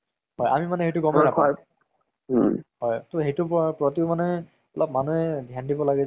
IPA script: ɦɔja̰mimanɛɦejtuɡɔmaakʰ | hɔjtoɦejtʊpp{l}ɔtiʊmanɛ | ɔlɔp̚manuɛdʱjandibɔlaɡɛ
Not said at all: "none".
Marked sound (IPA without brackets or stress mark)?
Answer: ɹ